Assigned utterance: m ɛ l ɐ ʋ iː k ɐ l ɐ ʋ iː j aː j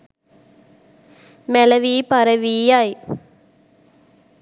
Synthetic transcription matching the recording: m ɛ l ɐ ʋ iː p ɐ ɾ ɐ ʋ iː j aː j